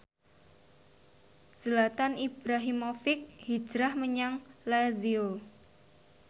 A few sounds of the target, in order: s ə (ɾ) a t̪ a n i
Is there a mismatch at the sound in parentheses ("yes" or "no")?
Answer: yes